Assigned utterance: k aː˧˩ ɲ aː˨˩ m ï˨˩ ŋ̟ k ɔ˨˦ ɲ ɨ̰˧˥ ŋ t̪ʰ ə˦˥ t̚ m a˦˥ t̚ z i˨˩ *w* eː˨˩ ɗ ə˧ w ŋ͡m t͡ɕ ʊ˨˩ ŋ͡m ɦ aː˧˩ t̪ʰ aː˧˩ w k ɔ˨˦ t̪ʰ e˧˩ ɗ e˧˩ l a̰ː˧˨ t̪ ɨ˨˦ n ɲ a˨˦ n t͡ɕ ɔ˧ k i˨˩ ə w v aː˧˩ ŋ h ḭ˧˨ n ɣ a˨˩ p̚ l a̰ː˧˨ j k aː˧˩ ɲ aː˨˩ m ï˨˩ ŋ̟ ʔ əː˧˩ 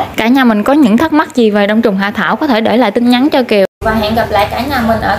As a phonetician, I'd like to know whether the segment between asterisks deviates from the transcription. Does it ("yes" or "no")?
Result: yes